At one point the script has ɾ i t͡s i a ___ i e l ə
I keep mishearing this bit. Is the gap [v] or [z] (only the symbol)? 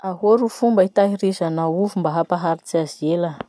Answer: z